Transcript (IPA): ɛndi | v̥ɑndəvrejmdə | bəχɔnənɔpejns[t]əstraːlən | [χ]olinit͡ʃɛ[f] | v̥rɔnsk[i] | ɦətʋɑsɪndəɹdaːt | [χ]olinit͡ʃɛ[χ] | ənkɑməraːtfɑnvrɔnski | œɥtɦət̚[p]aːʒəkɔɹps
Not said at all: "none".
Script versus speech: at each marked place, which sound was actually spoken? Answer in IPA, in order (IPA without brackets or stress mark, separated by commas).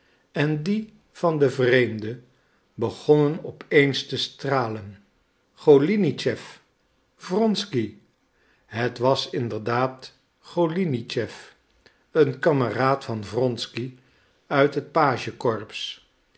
t, χ, f, i, χ, f, p